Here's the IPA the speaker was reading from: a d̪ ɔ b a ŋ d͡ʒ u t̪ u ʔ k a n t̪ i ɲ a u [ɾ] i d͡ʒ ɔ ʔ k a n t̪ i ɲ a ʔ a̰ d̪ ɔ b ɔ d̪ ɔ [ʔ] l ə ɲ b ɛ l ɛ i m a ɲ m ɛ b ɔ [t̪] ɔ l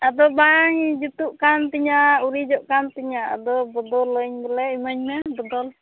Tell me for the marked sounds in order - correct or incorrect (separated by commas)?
correct, incorrect, incorrect